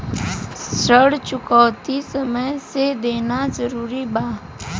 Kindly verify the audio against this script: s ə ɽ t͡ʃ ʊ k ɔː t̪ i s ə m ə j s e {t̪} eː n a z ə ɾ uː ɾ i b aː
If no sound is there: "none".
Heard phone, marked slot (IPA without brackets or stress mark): d̪